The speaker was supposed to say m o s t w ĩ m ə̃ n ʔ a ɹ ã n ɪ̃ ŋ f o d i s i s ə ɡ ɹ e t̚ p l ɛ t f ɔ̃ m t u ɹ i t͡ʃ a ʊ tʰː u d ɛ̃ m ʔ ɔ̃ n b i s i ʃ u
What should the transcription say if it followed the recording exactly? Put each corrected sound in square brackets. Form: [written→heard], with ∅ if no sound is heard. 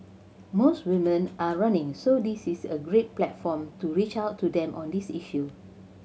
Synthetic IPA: m o s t w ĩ m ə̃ n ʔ a ɹ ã n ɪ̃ ŋ [f→s] o d i s i s ə ɡ ɹ e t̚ p l ɛ t f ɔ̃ m t u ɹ i t͡ʃ a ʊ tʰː u d ɛ̃ m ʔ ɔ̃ n [b→d] i s i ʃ u